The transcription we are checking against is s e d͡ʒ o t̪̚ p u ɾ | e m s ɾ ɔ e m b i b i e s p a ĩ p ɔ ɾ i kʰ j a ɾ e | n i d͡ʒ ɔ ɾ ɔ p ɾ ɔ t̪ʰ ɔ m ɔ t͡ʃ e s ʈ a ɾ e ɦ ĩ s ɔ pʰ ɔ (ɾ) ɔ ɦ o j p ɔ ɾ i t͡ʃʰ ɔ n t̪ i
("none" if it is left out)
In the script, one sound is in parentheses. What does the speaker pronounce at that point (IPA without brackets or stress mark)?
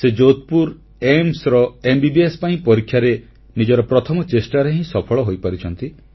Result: ɭ